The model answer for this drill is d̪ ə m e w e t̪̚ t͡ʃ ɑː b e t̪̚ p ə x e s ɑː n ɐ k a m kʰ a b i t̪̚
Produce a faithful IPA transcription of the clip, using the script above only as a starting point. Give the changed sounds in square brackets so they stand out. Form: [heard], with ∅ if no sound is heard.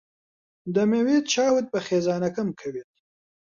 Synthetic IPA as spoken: d̪ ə m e w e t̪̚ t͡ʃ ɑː [w] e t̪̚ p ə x e [z] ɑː n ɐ k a m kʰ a [w] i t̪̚